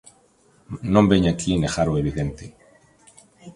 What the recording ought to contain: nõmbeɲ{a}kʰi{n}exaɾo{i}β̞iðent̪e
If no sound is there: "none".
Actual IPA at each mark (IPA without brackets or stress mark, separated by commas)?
a, n, e